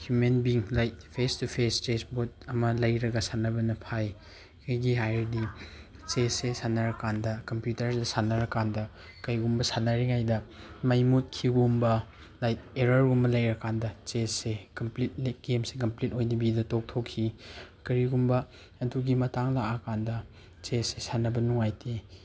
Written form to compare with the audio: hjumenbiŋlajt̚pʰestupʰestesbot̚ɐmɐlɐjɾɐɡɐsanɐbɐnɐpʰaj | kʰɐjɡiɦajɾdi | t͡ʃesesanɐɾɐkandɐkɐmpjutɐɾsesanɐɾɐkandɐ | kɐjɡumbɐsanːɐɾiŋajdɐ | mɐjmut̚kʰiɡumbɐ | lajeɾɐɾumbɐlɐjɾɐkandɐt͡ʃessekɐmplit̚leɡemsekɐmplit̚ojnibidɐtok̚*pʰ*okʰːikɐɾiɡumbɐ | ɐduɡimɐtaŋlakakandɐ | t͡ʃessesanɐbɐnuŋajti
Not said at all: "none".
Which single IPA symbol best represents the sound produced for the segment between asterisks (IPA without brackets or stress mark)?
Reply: tʰ